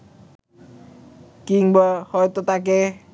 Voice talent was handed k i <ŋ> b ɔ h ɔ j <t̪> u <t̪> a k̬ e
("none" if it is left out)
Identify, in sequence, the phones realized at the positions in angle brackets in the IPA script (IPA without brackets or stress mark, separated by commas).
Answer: ŋ, t̪, t̪